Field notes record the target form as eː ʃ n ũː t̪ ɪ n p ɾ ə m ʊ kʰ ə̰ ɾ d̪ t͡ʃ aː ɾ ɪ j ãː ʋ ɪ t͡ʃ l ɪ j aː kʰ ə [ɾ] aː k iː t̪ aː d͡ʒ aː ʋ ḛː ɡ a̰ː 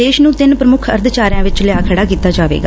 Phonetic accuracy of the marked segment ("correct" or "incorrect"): incorrect